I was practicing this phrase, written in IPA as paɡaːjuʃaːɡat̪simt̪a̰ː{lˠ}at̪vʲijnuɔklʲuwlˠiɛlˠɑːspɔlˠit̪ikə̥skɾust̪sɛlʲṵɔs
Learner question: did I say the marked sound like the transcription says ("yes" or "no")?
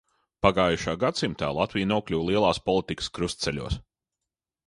yes